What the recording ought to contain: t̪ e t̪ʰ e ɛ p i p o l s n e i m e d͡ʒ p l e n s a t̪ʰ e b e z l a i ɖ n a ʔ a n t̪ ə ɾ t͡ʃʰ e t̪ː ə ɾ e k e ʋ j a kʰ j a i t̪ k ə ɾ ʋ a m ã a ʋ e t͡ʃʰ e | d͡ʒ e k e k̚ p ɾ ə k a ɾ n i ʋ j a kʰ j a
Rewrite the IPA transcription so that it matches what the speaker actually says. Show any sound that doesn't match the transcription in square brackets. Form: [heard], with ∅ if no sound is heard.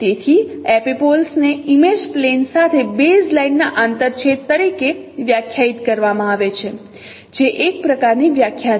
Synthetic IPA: t̪ e t̪ʰ [i] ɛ p i p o l s n e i m e d͡ʒ p l e n s a t̪ʰ e b e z l a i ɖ n a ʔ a n t̪ ə ɾ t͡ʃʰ e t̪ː ə ɾ [i] k e ʋ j a kʰ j a i t̪ k ə ɾ ʋ a m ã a ʋ e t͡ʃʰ e | d͡ʒ e [ʔ] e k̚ p ɾ ə k a ɾ n i ʋ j a kʰ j a